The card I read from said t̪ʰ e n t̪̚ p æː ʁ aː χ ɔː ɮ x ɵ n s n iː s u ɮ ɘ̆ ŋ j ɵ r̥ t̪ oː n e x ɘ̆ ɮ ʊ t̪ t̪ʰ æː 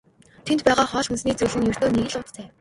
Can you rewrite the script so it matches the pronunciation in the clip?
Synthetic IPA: t̪ʰ e n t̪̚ p æː ʁ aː χ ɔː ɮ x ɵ n s n iː t͡s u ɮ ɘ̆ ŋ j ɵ r̥ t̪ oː n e ɣ ɘ̆ ɮ ʊ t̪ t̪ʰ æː